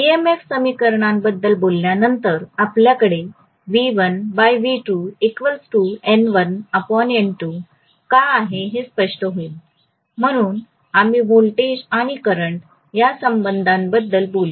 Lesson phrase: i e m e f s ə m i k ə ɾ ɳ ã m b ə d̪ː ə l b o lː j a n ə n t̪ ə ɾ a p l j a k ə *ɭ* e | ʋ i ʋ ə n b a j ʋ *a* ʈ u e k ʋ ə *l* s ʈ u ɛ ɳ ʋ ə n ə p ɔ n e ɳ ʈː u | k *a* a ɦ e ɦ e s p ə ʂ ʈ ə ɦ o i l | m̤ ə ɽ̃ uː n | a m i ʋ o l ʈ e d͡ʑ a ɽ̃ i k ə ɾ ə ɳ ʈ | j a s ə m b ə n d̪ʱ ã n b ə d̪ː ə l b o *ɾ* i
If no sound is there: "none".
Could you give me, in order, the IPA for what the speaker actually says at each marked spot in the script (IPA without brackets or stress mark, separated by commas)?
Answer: ɽ, i, l, a, l